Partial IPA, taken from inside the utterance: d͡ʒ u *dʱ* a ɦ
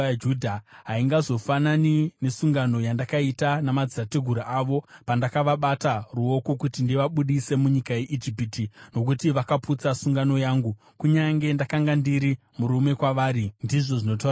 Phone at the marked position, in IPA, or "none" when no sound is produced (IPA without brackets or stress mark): dʱ